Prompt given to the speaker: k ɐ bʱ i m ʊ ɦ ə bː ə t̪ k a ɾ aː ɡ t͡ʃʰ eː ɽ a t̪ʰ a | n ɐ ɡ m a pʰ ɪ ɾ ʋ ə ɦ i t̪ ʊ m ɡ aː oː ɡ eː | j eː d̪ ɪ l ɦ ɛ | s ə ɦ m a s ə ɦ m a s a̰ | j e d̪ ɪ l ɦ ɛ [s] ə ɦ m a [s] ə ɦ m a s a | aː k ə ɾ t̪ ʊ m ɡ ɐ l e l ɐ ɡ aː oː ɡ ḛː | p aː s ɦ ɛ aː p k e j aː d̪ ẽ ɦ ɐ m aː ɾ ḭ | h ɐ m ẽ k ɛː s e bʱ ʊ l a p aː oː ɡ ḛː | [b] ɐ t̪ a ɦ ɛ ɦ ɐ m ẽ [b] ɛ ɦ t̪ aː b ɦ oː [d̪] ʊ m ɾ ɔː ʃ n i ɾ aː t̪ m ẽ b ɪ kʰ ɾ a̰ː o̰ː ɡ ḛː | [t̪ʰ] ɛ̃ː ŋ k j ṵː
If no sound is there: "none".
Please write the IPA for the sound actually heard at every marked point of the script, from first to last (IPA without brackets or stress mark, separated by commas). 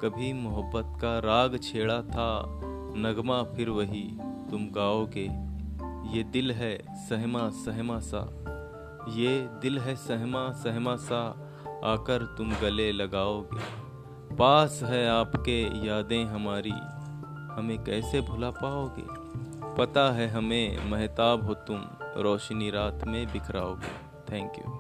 s, s, p, m, t̪, t̪ʰ